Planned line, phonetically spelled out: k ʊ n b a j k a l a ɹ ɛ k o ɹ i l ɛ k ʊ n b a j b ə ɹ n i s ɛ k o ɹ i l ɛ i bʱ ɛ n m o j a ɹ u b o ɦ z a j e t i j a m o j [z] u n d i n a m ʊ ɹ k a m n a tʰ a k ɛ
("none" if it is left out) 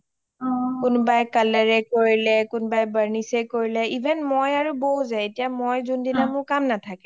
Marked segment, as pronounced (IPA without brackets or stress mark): z